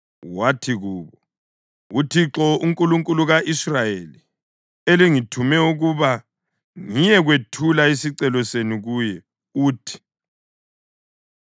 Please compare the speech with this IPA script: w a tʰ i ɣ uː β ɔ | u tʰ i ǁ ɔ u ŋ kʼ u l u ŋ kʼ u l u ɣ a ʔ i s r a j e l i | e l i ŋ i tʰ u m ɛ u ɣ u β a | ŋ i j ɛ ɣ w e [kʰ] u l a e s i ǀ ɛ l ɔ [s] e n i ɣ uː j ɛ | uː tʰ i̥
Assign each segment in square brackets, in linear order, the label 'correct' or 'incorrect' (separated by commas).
incorrect, correct